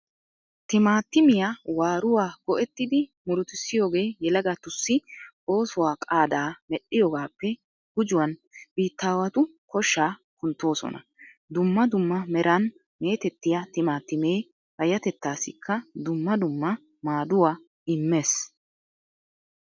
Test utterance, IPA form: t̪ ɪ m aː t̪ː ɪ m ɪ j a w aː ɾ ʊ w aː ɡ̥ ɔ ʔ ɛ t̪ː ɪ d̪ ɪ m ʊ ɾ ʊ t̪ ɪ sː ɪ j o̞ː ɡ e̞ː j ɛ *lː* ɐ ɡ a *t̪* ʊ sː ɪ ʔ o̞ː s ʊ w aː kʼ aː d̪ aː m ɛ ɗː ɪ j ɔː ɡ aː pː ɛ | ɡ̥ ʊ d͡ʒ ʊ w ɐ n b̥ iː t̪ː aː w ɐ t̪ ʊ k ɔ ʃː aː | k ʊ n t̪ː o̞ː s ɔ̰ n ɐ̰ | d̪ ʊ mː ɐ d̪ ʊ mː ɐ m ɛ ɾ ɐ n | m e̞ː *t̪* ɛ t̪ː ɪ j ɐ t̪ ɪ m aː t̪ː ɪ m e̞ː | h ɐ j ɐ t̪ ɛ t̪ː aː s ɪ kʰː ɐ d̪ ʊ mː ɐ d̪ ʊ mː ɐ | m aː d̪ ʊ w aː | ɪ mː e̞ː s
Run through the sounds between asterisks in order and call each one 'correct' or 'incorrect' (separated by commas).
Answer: incorrect, correct, correct